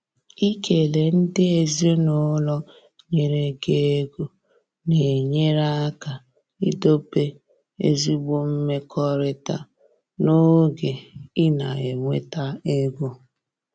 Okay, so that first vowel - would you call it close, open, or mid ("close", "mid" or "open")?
close